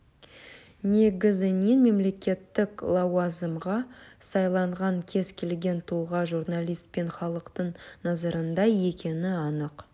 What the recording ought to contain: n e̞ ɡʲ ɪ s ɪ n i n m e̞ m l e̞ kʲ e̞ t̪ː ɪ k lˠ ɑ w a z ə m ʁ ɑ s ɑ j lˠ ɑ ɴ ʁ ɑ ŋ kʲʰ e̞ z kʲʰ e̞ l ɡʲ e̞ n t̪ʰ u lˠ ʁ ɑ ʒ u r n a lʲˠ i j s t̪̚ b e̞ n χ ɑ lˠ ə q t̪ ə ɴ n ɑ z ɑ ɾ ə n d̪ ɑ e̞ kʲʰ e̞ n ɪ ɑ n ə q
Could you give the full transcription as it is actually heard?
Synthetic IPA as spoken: n e̞ ɡʲ ɪ z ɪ n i n m e̞ m l e̞ kʲ e̞ t̪ː ɪ k lˠ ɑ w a z ə m ʁ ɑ s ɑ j lˠ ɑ ɴ ʁ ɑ ŋ kʲʰ e̞ z kʲʰ e̞ l ɡʲ e̞ n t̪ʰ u lˠ ʁ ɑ ʒ u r n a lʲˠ i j s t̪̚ p e̞ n χ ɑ lˠ ə q t̪ ə ɴ n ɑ z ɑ ɾ ə n d̪ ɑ e̞ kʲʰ e̞ n ɪ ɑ n ə q